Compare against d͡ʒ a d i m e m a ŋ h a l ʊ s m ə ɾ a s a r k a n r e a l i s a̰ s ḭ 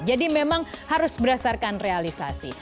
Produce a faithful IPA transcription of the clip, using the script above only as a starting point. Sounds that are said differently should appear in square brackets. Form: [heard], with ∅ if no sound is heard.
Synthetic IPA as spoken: d͡ʒ a d i m e m a ŋ h a [ɾ] ʊ s [b] ə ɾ a s a r k a n r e a l i s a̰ s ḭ

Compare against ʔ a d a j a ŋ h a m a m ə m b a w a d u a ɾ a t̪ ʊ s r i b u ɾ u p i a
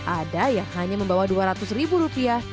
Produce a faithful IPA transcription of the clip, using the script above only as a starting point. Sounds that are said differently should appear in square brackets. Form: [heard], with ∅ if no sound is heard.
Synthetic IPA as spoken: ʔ a d a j a ŋ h a [ɲ] a m ə m b a w a d u a ɾ a t̪ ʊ s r i b u ɾ u p i a

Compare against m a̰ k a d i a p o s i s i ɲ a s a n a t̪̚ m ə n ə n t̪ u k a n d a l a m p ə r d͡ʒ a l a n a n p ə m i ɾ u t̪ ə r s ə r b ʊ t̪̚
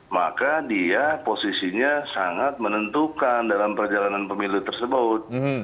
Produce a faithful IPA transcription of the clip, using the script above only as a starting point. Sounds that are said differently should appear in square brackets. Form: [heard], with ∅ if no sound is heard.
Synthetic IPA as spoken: m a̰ k a d i a p o s i s i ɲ a s a [ŋ] a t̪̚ m ə n ə n t̪ u k a n d a l a m p ə r d͡ʒ a l a n a n p ə m i [l] u t̪ ə r s ə [∅] b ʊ t̪̚

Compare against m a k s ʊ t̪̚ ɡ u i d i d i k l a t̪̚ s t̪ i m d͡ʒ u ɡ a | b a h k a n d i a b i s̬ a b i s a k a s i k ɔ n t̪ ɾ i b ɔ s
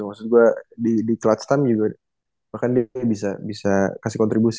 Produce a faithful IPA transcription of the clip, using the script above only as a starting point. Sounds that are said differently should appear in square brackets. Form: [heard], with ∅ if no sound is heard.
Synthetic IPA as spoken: m a k s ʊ t̪̚ ɡ u [a] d i d i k l a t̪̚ s t̪ [a] m d͡ʒ u ɡ a | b a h k a n d i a b i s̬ a b i s a k a s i k ɔ n t̪ ɾ i b [u] s

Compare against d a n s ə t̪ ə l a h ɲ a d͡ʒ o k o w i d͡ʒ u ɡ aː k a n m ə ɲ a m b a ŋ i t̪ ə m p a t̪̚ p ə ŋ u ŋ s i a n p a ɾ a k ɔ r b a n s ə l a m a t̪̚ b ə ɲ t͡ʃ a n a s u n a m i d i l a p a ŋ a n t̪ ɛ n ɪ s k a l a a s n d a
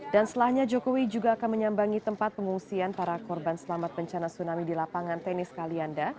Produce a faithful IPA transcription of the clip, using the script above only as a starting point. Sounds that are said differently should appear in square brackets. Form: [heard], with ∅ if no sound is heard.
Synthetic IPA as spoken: d a n s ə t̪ ə l a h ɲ a d͡ʒ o k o w i d͡ʒ u ɡ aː k a n m ə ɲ a m b a ŋ i t̪ ə m p a t̪̚ p ə ŋ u ŋ s i a n p a ɾ a k ɔ r b a n s ə l a m a t̪̚ b ə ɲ t͡ʃ a n a s u n a m i d i l a p a ŋ a n t̪ ɛ n ɪ s k a l [i] a [∅] n d a

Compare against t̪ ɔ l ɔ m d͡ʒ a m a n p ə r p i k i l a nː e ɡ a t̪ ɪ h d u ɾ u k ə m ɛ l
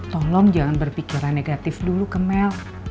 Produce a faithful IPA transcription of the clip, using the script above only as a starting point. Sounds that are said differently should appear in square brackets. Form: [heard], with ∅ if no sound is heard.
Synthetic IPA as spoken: t̪ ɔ l ɔ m d͡ʒ a [ŋ] a n [b] ə r p i k i [ɾ] a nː e ɡ a t̪ ɪ [f] d u [l] u k ə m ɛ l

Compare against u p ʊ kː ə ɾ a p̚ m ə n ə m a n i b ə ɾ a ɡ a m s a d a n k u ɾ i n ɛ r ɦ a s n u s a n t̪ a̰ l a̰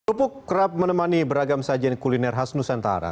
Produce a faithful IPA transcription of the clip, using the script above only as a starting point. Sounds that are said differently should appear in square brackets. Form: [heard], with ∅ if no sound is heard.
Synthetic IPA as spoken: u p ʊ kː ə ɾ a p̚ m ə n ə m a n i b ə ɾ a ɡ a m s a [d͡ʒ] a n k u [l] i n ɛ r ɦ a s n u s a n t̪ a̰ [ɾ] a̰

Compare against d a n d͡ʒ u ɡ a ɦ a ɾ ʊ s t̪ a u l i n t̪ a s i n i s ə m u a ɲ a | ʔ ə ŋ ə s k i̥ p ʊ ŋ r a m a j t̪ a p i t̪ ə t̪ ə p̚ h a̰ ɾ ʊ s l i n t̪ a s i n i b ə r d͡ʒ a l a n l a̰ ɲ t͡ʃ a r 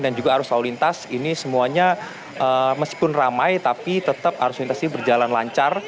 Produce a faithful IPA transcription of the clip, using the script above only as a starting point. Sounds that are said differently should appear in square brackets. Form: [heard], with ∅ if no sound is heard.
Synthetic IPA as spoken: d a n d͡ʒ u ɡ a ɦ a ɾ ʊ s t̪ a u l i n t̪ a s i n i s ə m u a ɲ a | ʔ ə [m] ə s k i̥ p ʊ [n] r a m a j t̪ a p i t̪ ə t̪ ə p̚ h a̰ ɾ ʊ s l i n t̪ a s i n i b ə r d͡ʒ a l a n l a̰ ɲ t͡ʃ a r

